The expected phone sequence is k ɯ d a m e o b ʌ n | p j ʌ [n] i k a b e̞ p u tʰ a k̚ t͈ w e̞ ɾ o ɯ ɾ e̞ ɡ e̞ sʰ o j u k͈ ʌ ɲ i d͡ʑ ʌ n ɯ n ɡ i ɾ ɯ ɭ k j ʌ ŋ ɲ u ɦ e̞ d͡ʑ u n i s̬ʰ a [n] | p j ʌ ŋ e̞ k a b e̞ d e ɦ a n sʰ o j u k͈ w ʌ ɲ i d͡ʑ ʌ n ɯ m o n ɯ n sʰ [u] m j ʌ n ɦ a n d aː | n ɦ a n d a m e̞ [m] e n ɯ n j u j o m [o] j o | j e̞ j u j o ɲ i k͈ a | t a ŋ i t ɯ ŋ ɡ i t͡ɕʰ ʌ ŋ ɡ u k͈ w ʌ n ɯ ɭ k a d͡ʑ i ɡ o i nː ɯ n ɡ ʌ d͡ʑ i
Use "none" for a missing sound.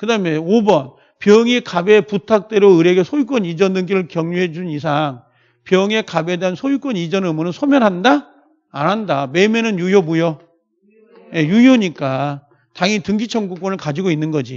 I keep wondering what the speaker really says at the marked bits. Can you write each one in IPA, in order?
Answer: ŋ, ŋ, o, m, u

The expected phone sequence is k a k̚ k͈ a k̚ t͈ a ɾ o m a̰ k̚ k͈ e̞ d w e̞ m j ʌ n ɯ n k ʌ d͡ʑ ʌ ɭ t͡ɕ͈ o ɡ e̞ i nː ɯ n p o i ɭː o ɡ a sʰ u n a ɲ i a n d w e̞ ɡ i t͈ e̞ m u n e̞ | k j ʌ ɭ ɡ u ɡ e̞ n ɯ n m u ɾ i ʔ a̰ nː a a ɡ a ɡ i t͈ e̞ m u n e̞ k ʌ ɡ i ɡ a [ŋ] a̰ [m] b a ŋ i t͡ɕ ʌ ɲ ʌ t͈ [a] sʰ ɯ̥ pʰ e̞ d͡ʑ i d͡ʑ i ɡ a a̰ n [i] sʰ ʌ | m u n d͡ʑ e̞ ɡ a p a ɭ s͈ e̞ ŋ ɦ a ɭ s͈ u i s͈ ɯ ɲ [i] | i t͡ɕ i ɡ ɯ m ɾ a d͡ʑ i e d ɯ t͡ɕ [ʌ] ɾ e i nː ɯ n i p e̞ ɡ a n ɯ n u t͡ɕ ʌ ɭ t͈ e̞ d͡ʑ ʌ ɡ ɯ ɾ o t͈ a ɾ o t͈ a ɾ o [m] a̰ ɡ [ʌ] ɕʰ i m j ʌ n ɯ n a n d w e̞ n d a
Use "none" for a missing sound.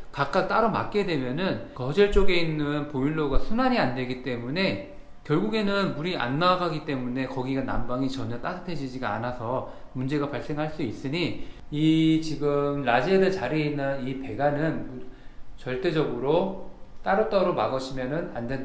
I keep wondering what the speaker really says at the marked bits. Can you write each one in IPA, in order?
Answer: n, m, a, a, i, a, m, ʌ

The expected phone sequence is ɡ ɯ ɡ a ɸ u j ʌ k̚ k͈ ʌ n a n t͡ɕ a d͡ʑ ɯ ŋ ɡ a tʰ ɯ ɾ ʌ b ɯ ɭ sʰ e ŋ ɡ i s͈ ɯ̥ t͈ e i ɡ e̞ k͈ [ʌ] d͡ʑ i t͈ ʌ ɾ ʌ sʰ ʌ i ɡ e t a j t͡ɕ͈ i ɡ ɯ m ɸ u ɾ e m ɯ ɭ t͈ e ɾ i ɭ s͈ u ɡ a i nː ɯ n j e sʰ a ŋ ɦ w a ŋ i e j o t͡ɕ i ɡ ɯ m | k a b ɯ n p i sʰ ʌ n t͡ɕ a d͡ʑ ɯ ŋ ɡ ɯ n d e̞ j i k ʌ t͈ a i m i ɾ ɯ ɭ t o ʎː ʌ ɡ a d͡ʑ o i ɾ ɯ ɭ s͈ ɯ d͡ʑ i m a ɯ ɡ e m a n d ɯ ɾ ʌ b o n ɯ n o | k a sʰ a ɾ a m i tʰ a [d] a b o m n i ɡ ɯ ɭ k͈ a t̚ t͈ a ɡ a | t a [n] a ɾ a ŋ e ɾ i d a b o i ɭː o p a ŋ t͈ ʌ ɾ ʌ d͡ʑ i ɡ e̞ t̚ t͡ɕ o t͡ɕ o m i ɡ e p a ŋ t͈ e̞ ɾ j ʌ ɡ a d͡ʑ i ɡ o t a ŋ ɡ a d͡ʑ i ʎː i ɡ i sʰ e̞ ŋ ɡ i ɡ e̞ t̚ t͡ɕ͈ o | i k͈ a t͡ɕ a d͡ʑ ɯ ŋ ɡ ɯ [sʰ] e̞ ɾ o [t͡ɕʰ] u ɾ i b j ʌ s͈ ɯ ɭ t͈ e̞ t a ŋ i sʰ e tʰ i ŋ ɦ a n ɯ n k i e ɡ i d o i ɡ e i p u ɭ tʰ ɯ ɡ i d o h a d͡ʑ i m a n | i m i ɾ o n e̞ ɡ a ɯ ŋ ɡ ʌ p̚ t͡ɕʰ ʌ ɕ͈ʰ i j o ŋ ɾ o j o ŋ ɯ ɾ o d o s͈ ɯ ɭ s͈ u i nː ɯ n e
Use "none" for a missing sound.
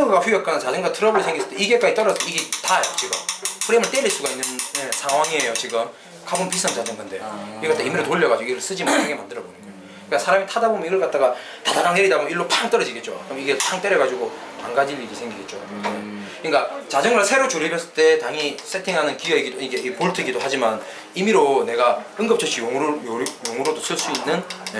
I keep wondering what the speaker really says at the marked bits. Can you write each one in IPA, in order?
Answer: a, d, d, sʰ, t͡ɕ

